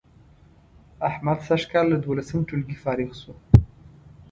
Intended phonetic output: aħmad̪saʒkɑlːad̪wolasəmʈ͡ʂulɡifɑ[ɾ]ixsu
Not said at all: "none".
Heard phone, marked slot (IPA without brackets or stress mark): ɾ